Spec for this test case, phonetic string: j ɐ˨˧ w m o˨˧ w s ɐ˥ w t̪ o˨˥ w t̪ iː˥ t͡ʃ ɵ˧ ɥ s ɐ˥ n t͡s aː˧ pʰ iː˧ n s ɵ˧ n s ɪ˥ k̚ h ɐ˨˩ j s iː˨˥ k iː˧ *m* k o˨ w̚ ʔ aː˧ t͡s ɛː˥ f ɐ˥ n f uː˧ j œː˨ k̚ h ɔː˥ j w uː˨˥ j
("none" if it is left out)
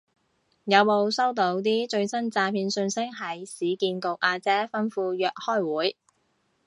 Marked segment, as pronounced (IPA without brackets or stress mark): n